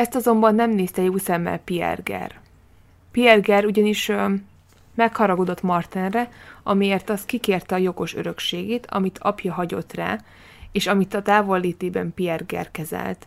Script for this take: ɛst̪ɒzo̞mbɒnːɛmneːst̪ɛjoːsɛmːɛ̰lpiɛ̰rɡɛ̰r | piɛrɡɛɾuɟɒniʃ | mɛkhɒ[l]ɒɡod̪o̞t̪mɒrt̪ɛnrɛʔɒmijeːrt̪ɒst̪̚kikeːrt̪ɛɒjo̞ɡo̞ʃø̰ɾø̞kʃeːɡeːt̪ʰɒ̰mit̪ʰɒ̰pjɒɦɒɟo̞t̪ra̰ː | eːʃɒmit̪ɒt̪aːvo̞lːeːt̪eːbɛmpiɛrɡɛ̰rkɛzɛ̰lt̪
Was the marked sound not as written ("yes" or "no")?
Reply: yes